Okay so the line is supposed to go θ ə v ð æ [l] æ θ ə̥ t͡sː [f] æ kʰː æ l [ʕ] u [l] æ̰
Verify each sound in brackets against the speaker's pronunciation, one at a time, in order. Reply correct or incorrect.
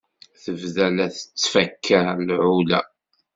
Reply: correct, correct, correct, correct

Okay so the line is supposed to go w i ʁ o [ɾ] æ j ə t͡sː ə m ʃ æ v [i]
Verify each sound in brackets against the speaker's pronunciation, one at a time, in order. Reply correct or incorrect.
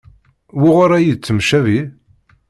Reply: correct, correct

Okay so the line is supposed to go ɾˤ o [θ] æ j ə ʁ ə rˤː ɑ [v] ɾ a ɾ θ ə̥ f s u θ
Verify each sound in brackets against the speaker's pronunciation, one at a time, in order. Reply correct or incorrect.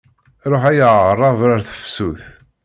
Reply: incorrect, correct

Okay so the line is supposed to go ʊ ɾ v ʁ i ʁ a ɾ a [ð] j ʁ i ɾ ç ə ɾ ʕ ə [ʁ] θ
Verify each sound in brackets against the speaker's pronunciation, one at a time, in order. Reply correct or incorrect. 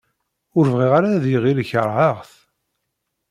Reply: correct, correct

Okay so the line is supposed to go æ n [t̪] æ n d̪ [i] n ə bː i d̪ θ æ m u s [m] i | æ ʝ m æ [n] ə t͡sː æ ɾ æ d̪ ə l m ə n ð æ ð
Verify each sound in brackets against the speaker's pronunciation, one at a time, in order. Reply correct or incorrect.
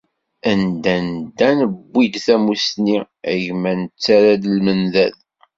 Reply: incorrect, incorrect, incorrect, correct

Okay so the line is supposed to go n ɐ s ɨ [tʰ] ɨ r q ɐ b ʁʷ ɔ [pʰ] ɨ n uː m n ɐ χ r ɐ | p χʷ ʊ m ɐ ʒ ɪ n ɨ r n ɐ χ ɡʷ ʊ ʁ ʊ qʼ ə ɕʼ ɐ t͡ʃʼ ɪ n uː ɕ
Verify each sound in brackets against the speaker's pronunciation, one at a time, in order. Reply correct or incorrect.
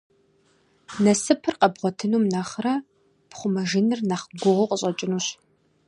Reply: incorrect, incorrect

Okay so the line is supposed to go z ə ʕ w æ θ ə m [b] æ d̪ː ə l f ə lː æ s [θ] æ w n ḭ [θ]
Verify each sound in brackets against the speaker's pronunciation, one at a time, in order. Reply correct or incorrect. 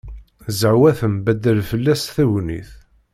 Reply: correct, correct, correct

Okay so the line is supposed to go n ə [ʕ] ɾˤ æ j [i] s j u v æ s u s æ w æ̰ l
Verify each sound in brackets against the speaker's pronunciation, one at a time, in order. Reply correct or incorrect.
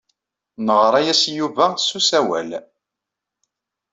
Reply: incorrect, incorrect

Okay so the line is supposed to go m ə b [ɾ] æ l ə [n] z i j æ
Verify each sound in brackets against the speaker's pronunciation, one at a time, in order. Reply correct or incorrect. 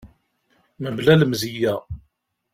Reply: incorrect, incorrect

